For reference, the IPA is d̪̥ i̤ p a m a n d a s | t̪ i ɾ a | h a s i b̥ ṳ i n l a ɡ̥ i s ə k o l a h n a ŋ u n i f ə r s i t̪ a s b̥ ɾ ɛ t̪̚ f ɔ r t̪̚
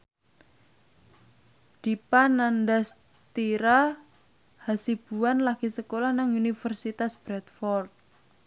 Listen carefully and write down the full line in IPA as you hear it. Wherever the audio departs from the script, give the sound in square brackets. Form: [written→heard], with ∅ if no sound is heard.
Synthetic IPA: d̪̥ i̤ p a [m→n] a n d a s | t̪ i ɾ a | h a s i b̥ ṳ [i→a] n l a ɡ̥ i s ə k o l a h n a ŋ u n i f ə r s i t̪ a s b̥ ɾ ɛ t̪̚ f ɔ r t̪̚

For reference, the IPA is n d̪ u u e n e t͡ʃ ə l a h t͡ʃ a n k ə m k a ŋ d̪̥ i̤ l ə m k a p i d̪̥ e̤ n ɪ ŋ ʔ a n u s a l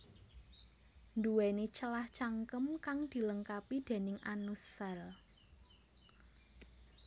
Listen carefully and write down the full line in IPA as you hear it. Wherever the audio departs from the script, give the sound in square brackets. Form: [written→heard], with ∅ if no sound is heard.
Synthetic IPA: n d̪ u [u→w] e n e t͡ʃ ə l a h t͡ʃ a [n→ŋ] k ə m k a ŋ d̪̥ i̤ l ə [m→ŋ] k a p i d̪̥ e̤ n ɪ ŋ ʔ a n u s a l

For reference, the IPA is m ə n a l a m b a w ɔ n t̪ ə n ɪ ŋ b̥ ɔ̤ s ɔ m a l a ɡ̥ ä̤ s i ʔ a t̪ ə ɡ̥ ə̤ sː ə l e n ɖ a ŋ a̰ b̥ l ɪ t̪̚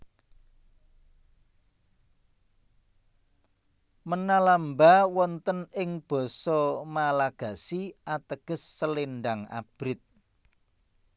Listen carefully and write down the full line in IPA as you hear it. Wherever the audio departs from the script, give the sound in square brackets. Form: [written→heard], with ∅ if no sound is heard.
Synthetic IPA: m ə n a l a m b a w ɔ n t̪ ə n ɪ ŋ b̥ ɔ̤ s ɔ m a l a ɡ̥ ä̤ s i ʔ a t̪ ə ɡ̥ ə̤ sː ə l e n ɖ a ŋ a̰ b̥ [l→ɾ] ɪ t̪̚

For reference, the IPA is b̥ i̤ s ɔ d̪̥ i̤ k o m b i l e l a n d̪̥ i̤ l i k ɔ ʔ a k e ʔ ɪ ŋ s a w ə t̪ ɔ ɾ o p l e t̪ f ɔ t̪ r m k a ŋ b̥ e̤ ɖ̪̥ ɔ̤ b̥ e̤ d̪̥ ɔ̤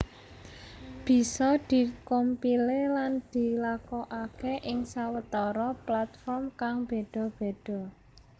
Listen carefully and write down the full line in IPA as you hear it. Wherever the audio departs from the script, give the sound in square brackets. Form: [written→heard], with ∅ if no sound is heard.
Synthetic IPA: b̥ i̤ s ɔ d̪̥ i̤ k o m [b→p] i l e l a n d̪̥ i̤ l [i→a] k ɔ ʔ a k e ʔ ɪ ŋ s a w ə t̪ ɔ ɾ [o→ɔ] p l [e→a] t̪ f ɔ [t̪→∅] r m k a ŋ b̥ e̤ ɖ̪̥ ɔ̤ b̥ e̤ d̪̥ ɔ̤

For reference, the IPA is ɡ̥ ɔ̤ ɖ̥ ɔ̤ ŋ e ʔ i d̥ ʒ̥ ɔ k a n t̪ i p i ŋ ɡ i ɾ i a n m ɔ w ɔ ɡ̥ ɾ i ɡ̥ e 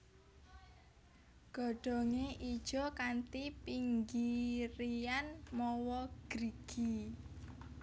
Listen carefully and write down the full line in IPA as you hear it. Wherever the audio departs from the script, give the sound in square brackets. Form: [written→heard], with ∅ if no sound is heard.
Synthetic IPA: ɡ̥ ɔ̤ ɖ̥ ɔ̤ ŋ e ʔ i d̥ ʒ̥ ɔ k a n t̪ i p i ŋ ɡ i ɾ i a n m ɔ w ɔ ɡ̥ ɾ i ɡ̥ [e→i]

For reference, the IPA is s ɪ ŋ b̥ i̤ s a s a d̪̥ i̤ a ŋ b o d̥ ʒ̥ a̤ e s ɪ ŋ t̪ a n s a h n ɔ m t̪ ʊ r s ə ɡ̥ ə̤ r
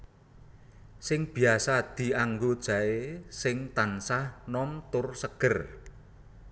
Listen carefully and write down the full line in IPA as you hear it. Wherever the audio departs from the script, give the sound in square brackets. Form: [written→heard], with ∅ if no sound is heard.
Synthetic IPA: s ɪ ŋ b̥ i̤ [s→∅] a s a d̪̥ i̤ a ŋ [b→ɡ] o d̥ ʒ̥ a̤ e s ɪ ŋ t̪ a n s a h n ɔ m t̪ ʊ r s ə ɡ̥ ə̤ r

